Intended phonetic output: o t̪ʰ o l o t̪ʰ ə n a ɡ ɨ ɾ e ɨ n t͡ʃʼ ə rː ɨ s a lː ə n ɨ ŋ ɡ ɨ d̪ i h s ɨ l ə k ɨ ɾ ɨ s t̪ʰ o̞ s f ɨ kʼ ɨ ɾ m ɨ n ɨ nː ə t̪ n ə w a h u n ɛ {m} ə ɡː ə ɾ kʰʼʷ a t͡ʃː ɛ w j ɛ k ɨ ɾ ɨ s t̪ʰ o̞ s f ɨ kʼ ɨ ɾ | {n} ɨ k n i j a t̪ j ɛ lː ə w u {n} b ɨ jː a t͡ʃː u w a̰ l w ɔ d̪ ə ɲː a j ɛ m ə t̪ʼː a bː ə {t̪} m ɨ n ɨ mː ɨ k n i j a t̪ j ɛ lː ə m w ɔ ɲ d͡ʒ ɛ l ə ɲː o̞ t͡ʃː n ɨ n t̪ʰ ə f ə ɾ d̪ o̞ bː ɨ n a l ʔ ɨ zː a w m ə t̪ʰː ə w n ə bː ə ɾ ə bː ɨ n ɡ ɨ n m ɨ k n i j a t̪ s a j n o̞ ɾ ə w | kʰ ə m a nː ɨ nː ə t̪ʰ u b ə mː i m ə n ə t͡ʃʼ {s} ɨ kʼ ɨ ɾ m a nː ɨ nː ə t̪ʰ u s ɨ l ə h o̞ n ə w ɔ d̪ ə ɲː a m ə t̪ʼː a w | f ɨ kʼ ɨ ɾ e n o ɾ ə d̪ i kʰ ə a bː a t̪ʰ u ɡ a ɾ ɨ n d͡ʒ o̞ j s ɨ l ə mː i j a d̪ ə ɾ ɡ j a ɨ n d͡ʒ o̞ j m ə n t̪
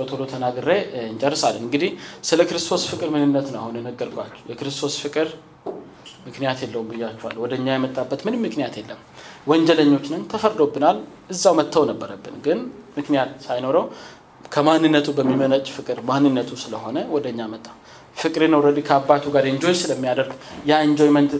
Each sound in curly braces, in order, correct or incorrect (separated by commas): incorrect, incorrect, incorrect, correct, incorrect